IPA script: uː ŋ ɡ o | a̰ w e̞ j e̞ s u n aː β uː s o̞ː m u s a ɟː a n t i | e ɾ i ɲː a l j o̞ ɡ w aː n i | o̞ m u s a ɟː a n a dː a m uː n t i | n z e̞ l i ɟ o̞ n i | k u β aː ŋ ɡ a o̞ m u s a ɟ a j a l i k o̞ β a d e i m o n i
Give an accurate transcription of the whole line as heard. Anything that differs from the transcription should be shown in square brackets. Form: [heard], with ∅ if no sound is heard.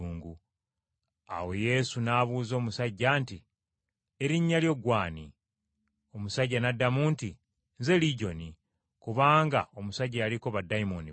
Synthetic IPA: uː ŋ ɡ [u] | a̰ w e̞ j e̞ s u n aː β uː [z] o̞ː m u s a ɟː a n t i | e ɾ i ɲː a l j o̞ ɡ w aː n i | o̞ m u s a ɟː a n a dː a m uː n t i | n z e̞ l i ɟ o̞ n i | k u β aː ŋ ɡ a o̞ m u s a ɟ a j a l i k o̞ β a d [a] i m o n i